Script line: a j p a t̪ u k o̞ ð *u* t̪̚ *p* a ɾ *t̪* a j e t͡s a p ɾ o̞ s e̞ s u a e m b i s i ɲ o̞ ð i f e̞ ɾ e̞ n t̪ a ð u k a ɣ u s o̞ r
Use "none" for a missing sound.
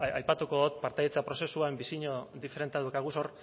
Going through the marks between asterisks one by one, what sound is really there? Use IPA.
o, p, t̪

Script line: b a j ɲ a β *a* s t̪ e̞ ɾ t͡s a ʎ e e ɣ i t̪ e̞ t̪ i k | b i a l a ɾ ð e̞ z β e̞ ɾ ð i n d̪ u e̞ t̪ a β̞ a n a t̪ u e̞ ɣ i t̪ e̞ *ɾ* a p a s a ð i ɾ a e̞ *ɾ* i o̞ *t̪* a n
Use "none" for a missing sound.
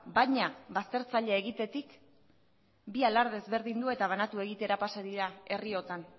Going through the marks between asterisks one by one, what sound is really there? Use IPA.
a, ɾ, r, t̪

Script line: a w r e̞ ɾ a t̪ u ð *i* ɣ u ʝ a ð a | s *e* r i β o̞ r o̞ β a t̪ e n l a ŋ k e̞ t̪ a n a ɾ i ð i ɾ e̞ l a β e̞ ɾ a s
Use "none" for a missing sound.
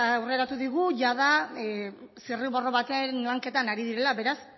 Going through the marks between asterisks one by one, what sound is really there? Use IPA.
i, i

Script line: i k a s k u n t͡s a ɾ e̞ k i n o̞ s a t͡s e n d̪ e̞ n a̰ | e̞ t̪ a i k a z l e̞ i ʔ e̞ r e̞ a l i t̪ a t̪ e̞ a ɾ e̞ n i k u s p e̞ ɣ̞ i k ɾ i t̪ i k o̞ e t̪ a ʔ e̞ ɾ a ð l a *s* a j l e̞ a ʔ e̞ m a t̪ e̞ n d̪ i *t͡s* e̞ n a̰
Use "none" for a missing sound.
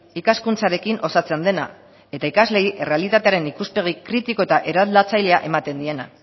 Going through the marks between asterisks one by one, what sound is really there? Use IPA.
t͡s, none

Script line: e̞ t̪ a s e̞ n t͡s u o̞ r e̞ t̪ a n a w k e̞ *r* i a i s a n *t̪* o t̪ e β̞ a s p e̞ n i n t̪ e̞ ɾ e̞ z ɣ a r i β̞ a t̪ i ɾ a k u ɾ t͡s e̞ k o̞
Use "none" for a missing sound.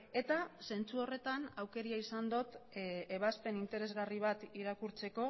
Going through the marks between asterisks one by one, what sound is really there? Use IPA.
ɾ, d̪

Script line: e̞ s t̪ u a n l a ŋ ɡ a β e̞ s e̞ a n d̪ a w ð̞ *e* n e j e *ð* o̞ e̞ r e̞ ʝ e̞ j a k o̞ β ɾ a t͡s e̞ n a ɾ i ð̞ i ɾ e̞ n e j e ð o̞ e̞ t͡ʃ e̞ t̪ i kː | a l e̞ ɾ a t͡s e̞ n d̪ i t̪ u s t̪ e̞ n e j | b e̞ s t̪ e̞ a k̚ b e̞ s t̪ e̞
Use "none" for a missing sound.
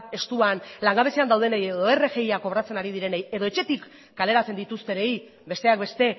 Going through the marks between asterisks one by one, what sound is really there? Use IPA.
e, ð

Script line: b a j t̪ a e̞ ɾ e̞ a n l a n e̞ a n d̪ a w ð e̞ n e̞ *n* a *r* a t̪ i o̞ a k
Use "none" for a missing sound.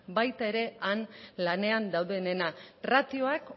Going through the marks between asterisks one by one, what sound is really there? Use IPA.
n, r

